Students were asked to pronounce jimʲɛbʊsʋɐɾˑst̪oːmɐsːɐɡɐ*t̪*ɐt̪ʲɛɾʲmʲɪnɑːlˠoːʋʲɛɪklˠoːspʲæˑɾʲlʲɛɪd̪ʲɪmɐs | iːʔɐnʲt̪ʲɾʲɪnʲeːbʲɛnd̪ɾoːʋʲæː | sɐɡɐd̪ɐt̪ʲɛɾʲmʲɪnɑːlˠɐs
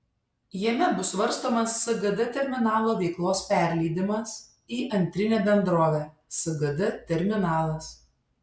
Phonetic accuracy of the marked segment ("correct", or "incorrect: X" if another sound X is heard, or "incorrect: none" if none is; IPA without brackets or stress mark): incorrect: d̪